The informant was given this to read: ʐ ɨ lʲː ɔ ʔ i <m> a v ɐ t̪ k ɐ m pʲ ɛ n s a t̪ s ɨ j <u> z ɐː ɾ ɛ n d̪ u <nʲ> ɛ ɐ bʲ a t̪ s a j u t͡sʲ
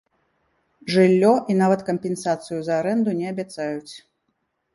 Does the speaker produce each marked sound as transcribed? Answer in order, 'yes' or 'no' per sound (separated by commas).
no, yes, yes